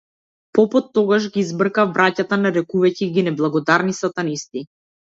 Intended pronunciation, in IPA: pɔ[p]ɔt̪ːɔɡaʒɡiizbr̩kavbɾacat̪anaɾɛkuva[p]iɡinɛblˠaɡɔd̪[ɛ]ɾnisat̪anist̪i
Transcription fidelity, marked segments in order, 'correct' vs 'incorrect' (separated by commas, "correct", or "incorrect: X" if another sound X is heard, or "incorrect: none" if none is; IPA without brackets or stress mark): correct, incorrect: c, incorrect: a